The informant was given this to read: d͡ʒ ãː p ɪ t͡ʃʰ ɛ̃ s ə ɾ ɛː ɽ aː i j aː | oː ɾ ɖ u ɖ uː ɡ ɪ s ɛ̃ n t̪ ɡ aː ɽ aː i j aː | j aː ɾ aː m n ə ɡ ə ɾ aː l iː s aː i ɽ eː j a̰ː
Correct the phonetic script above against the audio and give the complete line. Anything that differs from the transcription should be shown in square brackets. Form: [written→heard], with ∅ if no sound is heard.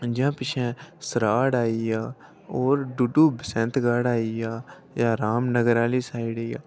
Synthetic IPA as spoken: d͡ʒ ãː p ɪ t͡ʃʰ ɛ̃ s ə ɾ [ɛː→aː] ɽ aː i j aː | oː ɾ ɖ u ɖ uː [ɡ→b] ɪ s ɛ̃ n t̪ ɡ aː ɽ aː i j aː | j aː ɾ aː m n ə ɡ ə ɾ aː l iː s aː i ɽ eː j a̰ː